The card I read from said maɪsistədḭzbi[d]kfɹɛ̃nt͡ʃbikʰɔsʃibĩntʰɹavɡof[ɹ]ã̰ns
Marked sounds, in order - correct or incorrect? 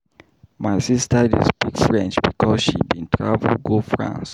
incorrect, correct

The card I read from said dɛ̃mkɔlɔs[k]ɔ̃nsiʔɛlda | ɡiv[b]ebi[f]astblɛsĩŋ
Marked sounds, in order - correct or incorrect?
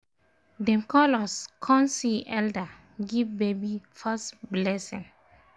incorrect, correct, correct

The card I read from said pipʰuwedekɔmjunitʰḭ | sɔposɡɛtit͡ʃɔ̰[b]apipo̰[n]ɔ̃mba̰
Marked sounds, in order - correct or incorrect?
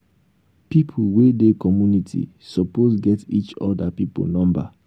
incorrect, correct

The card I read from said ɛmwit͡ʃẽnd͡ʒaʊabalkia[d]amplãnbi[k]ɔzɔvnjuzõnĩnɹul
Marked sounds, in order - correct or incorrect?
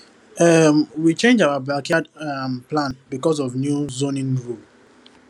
correct, correct

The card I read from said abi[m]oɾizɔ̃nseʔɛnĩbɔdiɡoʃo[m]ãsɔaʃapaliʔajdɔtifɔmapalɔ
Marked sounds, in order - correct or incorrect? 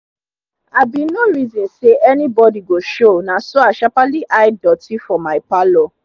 incorrect, incorrect

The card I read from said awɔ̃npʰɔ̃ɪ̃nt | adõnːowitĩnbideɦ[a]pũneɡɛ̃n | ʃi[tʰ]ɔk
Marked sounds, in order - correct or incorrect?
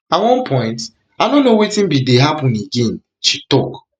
correct, incorrect

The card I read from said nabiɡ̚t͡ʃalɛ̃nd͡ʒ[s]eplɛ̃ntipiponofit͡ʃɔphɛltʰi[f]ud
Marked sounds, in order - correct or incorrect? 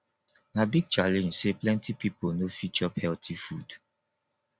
correct, correct

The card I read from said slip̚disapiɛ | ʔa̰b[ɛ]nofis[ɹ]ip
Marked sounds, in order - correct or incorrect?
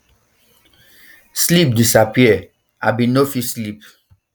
incorrect, incorrect

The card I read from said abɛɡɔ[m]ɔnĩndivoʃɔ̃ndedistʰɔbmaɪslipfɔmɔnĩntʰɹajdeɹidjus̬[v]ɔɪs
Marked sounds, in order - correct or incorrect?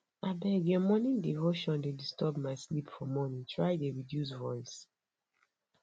correct, correct

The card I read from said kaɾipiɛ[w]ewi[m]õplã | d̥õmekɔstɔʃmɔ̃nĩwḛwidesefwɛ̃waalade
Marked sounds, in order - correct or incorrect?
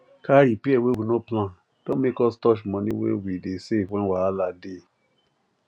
correct, incorrect

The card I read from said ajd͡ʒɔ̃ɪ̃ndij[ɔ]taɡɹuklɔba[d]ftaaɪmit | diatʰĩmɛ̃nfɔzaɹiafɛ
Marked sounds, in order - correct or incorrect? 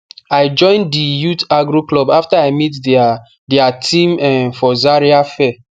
incorrect, incorrect

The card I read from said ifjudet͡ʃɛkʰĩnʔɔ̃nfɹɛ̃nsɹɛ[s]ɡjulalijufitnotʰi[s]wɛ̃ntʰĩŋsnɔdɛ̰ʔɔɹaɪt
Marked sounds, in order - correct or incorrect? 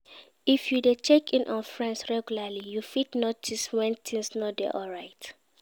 incorrect, correct

